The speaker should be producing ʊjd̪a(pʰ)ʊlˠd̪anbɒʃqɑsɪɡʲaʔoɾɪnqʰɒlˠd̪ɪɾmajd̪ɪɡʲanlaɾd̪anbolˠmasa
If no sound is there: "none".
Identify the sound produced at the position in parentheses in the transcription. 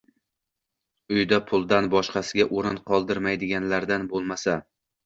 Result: pʰ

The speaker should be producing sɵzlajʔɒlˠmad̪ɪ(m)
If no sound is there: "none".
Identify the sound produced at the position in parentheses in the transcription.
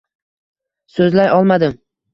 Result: m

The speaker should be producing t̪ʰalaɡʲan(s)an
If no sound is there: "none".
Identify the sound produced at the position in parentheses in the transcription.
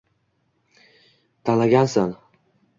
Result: s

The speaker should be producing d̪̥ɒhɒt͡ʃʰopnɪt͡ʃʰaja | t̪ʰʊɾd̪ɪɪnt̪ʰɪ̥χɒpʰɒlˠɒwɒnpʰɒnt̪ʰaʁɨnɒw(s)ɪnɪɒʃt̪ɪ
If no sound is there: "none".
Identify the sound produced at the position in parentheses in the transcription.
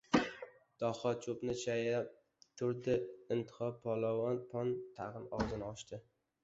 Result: z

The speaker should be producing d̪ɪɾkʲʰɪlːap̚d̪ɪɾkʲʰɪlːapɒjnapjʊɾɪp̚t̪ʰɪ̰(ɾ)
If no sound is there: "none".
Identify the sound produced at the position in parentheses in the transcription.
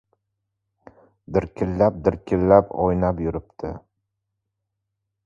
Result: none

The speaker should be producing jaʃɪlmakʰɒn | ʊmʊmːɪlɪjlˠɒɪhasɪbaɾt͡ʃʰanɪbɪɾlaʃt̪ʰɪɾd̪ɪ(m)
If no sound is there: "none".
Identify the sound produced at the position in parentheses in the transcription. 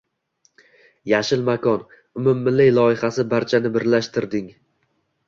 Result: ŋ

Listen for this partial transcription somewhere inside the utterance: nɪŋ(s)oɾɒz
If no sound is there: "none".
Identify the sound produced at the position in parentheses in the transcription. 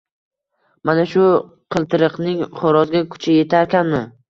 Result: χ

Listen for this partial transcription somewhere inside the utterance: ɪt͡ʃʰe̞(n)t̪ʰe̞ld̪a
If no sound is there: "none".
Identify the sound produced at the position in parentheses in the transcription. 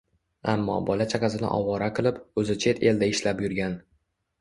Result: none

